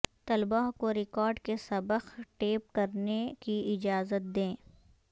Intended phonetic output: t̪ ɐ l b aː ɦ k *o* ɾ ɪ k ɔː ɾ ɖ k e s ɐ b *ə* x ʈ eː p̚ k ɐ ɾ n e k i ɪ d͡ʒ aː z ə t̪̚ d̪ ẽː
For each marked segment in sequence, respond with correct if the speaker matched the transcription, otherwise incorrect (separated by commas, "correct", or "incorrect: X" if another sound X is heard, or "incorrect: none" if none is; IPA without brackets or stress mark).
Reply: correct, correct